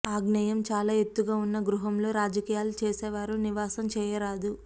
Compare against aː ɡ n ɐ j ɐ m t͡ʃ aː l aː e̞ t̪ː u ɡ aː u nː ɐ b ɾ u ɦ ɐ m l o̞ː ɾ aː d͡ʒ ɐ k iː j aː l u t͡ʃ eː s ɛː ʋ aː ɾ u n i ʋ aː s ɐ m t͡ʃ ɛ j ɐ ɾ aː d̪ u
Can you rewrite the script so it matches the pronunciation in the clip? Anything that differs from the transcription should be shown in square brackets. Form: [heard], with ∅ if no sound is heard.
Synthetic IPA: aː ɡ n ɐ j ɐ m t͡ʃ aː l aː e̞ t̪ː u ɡ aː u nː ɐ [ɡ] ɾ u ɦ ɐ m l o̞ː ɾ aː d͡ʒ ɐ k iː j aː l u t͡ʃ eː s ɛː ʋ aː ɾ u n i ʋ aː s ɐ m t͡ʃ [ɛː] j ɐ ɾ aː d̪ u